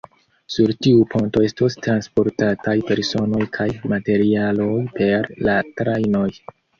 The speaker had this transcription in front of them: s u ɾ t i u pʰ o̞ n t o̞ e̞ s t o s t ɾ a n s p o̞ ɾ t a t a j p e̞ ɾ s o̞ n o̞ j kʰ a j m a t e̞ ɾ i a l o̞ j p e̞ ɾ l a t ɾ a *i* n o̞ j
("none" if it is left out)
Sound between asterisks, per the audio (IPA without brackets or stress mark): j